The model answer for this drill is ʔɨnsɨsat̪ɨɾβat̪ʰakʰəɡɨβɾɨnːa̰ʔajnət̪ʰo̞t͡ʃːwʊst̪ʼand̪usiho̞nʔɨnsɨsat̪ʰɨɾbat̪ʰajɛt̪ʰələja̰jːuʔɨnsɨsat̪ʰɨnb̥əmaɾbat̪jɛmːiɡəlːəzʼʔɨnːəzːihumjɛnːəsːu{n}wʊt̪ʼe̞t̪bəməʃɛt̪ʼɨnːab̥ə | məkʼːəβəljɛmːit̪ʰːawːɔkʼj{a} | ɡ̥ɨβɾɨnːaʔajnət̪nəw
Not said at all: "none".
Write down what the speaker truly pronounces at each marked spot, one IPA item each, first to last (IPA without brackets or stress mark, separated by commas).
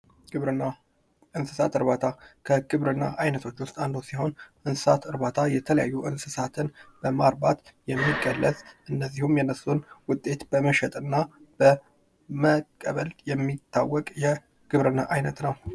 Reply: n, ɛ